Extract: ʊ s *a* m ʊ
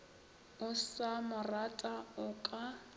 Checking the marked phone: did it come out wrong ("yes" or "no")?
no